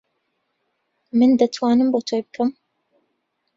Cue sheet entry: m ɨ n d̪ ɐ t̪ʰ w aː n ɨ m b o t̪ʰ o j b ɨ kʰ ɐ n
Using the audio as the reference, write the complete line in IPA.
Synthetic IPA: m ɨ n d̪ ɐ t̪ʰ w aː n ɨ m b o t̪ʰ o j b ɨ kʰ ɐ m